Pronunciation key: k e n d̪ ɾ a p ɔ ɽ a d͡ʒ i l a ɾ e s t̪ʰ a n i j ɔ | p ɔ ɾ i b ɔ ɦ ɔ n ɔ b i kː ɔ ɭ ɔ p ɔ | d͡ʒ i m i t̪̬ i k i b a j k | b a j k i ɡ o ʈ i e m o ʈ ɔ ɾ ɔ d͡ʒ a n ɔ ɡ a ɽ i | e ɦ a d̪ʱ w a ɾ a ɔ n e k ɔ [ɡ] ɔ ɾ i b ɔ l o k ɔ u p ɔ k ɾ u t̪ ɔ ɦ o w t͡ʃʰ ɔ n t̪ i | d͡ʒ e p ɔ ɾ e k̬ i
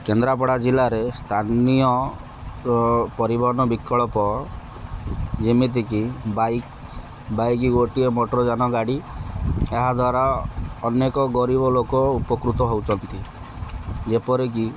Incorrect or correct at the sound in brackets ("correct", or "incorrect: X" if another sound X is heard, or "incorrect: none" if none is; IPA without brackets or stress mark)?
correct